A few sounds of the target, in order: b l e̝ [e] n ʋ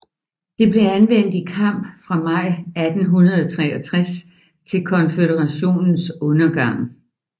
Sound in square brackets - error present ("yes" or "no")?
yes